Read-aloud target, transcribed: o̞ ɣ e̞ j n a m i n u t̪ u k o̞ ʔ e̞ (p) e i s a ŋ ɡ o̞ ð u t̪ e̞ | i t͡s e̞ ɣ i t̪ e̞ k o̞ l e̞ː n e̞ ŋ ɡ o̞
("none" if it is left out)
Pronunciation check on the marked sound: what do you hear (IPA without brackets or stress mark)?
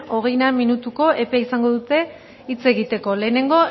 p